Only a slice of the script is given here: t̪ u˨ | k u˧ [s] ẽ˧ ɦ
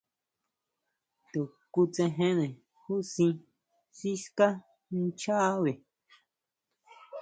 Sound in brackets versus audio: incorrect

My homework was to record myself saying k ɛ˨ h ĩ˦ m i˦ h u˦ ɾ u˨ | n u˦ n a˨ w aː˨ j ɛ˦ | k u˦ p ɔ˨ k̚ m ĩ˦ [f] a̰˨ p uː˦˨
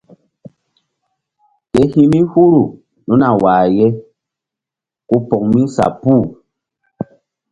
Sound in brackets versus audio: incorrect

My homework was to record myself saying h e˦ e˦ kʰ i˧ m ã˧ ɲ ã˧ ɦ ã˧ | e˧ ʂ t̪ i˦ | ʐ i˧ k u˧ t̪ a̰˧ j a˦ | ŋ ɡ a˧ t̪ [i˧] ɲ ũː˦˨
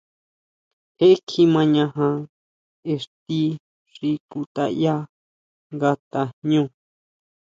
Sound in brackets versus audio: incorrect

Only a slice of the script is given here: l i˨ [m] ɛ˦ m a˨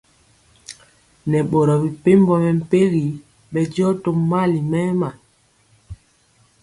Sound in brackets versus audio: correct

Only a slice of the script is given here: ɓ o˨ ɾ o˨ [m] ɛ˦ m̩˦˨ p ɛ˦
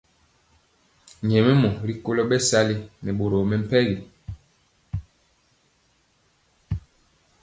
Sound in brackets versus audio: correct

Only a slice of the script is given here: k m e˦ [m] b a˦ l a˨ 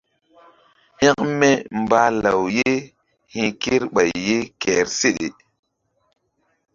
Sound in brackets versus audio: correct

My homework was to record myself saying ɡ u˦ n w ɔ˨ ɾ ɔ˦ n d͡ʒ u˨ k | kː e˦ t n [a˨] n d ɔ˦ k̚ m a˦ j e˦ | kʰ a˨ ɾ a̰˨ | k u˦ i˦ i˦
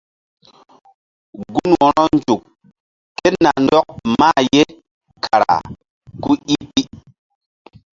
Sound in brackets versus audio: correct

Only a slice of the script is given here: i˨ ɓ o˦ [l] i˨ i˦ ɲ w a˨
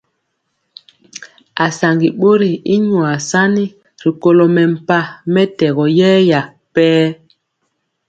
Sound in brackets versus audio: incorrect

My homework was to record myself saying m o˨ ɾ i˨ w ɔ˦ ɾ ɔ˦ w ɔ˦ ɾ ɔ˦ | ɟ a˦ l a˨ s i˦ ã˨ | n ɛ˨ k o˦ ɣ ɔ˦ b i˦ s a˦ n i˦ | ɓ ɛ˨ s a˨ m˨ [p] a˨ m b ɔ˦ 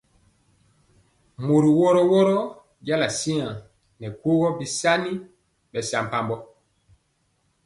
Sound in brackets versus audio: correct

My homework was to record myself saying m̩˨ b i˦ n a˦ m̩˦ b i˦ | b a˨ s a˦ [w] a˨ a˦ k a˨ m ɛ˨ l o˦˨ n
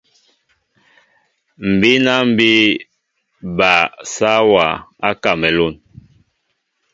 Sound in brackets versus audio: correct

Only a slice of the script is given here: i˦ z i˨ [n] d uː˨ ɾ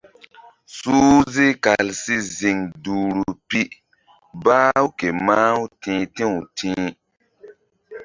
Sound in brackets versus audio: incorrect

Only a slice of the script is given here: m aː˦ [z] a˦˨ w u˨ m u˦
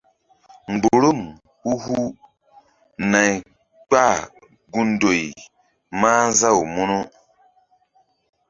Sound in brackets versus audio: correct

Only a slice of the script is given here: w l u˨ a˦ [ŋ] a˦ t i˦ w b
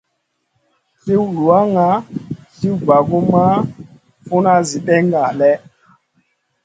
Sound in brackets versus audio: correct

